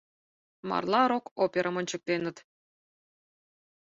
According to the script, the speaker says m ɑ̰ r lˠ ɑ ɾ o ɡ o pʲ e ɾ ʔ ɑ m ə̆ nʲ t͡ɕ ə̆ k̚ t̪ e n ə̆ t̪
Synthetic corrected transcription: m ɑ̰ r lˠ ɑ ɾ o k o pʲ e ɾ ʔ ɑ m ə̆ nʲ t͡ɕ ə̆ k̚ t̪ e n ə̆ t̪